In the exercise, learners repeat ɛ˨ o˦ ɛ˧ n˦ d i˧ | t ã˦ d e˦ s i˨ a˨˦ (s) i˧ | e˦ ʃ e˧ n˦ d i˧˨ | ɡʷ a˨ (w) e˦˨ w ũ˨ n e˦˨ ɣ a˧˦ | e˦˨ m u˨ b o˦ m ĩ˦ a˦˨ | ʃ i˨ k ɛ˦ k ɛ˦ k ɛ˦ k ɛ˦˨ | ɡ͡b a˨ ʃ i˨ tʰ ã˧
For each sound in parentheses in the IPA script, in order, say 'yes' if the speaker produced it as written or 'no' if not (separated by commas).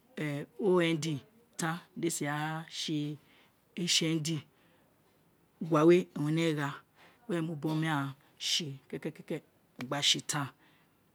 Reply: no, yes